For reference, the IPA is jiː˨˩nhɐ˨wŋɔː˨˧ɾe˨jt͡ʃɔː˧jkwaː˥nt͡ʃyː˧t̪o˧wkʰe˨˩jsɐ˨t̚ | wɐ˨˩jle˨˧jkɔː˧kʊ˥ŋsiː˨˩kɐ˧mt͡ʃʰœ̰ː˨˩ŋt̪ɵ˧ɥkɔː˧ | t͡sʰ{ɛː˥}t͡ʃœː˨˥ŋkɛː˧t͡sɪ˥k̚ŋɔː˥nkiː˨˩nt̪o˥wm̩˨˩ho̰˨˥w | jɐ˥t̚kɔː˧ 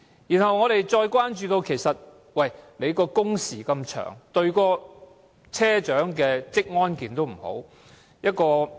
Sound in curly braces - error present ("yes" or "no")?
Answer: no